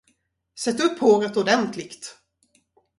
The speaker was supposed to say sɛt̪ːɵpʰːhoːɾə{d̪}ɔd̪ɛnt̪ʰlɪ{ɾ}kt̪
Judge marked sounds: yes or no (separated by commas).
no, no